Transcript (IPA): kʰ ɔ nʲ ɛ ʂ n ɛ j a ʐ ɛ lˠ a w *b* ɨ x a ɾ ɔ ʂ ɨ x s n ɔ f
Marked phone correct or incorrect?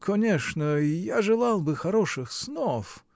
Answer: correct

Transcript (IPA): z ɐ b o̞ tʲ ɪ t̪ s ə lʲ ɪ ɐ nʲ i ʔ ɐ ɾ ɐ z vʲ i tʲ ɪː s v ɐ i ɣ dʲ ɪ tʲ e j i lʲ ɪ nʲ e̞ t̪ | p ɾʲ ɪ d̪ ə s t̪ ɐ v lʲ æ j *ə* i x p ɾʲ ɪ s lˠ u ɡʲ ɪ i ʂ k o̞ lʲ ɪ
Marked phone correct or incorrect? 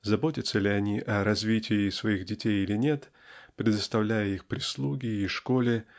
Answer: correct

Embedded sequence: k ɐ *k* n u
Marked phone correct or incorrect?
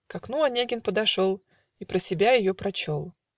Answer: correct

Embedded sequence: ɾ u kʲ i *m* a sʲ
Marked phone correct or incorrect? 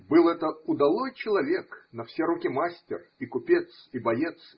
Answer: correct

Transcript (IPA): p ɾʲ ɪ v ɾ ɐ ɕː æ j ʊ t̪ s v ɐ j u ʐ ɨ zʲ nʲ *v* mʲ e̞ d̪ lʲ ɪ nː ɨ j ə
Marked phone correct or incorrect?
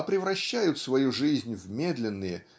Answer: correct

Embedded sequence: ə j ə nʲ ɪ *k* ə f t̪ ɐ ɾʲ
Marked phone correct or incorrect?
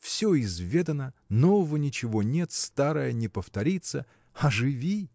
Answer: incorrect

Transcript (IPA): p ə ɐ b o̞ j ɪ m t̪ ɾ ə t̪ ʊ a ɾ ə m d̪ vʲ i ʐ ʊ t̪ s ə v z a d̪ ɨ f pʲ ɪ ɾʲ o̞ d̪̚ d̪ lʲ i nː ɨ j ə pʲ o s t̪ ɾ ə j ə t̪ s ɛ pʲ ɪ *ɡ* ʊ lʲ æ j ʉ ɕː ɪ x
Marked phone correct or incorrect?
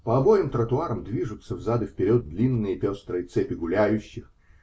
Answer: correct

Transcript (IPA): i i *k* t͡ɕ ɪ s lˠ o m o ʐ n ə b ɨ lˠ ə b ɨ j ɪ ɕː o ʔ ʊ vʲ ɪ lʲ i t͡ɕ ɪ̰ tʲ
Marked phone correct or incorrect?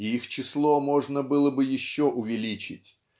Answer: incorrect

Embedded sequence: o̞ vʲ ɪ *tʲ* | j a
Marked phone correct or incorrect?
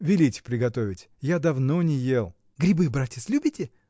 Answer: correct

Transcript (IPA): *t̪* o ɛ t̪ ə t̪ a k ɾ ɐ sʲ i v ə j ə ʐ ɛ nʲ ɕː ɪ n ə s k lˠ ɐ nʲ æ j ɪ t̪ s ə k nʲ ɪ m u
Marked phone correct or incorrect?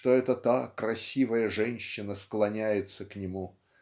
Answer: correct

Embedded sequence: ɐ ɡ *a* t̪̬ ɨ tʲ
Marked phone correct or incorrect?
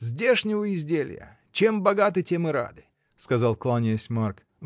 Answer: correct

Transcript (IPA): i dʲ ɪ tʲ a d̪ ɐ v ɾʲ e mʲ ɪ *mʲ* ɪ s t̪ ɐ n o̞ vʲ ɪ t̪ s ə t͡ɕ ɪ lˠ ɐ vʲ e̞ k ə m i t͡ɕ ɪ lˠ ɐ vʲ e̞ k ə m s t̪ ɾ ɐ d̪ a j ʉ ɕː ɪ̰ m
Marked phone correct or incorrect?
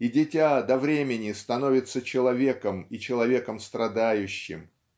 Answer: incorrect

